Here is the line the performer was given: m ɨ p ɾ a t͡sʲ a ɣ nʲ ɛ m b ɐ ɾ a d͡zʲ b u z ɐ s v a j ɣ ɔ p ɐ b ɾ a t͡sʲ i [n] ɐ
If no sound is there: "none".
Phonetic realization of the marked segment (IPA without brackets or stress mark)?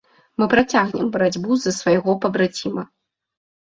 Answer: m